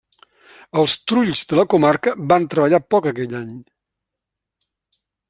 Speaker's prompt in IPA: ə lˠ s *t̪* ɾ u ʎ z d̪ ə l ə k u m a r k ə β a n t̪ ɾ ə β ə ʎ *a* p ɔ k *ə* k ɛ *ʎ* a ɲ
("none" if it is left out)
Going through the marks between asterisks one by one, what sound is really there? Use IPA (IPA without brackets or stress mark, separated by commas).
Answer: t̪, a, ə, ʎ